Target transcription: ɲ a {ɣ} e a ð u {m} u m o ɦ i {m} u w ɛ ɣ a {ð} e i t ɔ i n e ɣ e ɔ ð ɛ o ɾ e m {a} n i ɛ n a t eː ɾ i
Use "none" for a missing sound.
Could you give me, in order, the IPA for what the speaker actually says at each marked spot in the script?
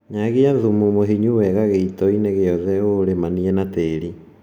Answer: ɣ, m, ɲ, ɣ, a

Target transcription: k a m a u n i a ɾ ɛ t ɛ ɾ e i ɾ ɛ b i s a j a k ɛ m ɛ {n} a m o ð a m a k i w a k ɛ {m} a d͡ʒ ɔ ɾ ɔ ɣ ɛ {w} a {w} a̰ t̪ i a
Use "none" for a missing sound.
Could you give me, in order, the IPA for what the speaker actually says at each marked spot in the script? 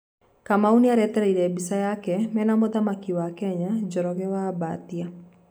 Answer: n, ɲ, w, b

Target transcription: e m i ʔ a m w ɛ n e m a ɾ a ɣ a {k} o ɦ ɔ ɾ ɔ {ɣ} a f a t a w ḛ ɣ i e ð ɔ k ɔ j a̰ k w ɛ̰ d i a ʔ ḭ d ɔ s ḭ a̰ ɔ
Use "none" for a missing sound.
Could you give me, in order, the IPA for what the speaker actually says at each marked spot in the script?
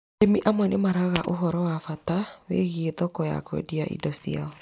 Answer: ʔ, w

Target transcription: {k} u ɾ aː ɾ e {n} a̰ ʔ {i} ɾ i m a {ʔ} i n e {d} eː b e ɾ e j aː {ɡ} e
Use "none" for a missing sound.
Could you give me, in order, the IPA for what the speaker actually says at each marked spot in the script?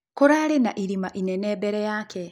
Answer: k, n, i, ʔ, n, k

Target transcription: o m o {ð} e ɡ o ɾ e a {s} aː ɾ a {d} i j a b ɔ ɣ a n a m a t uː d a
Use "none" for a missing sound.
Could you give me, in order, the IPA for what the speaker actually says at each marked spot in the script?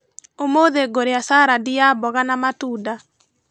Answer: ð, s, d

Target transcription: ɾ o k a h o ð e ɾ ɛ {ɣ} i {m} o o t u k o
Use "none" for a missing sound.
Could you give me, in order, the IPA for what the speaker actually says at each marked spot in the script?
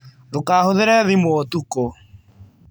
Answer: ð, m

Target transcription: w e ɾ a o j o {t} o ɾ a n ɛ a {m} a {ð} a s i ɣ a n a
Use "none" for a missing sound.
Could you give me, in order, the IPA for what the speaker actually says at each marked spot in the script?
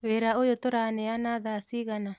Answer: t, n, ð

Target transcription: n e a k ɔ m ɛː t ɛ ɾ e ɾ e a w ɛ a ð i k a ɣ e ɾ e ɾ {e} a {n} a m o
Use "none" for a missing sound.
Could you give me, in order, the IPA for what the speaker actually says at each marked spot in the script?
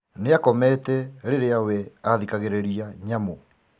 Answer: i, ɲ

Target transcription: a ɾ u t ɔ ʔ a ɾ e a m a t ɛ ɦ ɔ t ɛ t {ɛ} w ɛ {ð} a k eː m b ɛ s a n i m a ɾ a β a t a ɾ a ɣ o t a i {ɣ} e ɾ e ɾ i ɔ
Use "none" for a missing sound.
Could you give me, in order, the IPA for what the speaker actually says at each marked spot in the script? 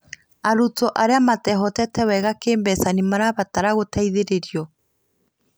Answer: ɛ, ɣ, ð

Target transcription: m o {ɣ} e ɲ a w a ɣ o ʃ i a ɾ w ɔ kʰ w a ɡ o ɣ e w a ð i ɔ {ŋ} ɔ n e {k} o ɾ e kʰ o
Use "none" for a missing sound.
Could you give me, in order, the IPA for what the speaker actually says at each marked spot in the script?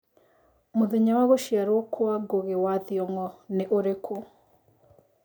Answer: ð, ŋ, ʔ

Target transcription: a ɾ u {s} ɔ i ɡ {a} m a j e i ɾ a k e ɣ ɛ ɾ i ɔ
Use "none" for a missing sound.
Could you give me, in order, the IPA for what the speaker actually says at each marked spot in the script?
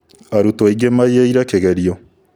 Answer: t, e

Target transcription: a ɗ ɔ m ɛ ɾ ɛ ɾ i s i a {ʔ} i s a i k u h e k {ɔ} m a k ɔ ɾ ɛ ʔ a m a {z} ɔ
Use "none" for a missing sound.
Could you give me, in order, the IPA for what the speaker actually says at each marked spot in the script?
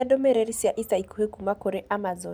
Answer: ʔ, u, z

